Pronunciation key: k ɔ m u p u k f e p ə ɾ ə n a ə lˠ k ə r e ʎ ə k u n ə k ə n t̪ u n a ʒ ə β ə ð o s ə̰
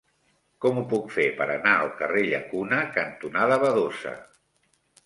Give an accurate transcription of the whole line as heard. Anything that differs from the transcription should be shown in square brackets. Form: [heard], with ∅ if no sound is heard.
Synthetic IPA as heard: k ɔ m u p u k f e p ə ɾ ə n a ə lˠ k ə r e ʎ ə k u n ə k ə n t̪ u n a [ð] ə β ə ð o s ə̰